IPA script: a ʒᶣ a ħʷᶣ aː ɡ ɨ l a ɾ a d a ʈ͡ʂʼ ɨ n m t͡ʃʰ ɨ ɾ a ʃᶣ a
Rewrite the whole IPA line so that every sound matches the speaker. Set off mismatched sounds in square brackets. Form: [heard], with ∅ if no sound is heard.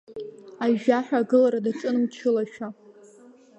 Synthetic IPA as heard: a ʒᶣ a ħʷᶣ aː ɡ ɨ l a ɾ a d a ʈ͡ʂʼ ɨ n m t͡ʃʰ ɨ [l] a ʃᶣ a